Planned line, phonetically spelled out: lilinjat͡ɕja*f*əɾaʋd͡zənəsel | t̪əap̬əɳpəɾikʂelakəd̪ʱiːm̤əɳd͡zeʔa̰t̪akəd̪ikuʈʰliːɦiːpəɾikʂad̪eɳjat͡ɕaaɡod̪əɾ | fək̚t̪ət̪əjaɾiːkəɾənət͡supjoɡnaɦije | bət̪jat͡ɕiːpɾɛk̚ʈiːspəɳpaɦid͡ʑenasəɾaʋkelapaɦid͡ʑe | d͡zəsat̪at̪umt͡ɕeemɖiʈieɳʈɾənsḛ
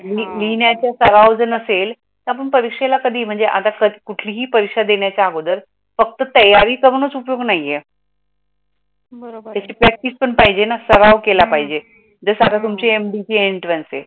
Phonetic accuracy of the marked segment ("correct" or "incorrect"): incorrect